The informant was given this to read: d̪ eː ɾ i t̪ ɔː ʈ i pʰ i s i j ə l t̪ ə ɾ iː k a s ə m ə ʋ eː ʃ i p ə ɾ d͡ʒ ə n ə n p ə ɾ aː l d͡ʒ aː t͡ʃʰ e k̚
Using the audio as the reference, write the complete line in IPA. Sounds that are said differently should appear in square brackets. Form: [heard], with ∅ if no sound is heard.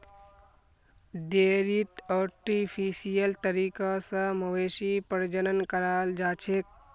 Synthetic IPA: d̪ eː ɾ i t̪ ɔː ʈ i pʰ i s i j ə l t̪ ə ɾ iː k a s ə m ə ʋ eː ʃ i p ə ɾ d͡ʒ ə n ə n [k] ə ɾ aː l d͡ʒ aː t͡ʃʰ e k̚